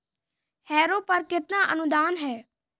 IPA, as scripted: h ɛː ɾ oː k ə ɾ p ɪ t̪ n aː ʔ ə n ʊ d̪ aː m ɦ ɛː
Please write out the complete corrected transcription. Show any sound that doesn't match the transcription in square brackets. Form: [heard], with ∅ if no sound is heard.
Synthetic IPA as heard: h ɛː ɾ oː [p] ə ɾ [k] ɪ t̪ n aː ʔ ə n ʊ d̪ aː [n] ɦ ɛː